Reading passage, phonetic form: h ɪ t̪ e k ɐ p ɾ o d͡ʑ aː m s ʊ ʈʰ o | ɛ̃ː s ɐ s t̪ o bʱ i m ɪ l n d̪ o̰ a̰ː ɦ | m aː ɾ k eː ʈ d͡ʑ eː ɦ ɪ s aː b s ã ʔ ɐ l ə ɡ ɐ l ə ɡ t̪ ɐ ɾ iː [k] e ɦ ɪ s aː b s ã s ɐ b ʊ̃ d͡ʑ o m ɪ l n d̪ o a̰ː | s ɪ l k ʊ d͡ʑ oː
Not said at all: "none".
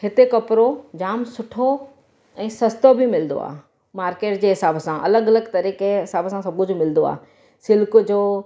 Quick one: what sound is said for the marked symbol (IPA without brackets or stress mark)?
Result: k